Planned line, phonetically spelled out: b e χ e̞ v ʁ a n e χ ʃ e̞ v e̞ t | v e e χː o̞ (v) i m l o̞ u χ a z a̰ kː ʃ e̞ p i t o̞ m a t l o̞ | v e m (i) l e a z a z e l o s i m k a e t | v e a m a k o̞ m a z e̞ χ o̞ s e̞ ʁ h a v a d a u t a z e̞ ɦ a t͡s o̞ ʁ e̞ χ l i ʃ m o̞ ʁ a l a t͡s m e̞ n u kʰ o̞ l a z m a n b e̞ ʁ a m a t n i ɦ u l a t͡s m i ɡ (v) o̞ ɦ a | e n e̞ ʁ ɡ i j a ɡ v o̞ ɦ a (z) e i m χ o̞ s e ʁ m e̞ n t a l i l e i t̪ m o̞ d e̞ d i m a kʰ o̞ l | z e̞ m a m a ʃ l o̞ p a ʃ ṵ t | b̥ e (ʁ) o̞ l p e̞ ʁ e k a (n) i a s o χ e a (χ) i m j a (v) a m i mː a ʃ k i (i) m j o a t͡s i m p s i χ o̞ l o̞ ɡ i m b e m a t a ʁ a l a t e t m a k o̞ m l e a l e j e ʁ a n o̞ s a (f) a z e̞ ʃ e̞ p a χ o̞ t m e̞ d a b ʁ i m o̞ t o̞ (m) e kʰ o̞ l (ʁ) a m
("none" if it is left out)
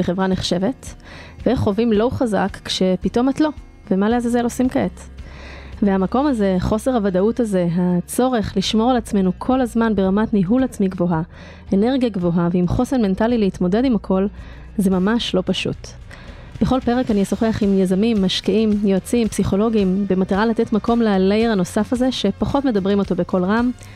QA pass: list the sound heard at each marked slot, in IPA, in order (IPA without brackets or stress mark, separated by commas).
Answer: v, a, v, v, χ, n, χ, z, i, f, b, ʁ